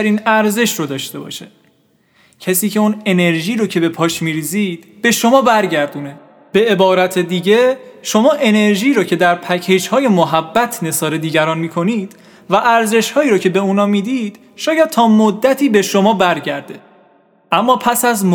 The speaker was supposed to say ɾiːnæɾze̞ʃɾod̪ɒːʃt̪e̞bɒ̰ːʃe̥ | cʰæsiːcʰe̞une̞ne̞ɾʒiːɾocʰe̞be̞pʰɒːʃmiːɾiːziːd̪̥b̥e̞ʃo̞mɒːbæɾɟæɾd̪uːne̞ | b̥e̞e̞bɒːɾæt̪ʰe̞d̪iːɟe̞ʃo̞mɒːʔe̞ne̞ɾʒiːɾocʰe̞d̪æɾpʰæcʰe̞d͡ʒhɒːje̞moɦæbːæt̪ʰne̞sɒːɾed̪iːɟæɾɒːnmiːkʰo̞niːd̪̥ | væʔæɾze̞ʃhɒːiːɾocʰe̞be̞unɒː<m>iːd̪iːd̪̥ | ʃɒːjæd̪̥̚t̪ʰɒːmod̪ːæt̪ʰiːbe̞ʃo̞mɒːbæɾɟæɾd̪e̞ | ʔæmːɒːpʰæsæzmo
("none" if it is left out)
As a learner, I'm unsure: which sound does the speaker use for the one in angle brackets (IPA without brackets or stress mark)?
m